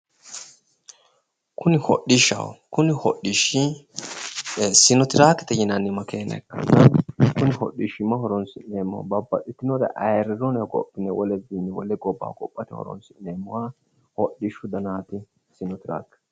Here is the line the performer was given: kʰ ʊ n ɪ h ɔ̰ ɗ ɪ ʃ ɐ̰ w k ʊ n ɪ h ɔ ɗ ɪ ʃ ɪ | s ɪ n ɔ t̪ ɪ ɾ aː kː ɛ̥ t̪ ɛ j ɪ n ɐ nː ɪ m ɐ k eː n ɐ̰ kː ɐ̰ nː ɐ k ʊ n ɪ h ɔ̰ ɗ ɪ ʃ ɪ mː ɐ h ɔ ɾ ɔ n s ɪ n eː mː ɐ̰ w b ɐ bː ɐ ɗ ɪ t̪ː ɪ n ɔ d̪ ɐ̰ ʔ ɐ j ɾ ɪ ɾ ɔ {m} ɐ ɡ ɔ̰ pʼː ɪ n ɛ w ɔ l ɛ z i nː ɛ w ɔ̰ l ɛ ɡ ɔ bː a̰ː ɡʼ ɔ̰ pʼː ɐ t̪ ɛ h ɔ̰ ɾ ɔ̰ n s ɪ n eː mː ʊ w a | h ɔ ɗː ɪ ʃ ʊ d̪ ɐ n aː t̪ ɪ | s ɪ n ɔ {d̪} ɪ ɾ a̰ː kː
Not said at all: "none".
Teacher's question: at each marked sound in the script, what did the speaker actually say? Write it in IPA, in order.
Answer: n, t̪

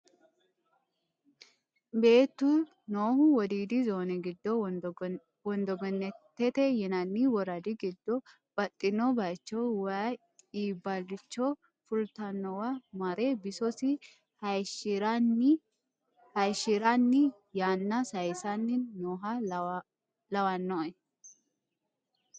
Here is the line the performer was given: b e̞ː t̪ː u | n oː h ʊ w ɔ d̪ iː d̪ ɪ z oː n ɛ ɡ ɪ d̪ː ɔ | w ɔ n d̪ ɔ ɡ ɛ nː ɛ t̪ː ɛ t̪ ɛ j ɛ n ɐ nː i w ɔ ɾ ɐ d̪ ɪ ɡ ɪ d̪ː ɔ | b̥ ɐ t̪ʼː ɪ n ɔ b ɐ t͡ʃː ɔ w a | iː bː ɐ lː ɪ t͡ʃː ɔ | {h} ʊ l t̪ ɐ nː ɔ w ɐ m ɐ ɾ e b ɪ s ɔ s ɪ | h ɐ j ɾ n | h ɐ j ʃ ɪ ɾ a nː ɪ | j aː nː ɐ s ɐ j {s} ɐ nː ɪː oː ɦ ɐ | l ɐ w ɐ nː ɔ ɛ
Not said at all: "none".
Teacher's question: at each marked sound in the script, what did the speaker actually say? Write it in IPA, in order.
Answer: f, s

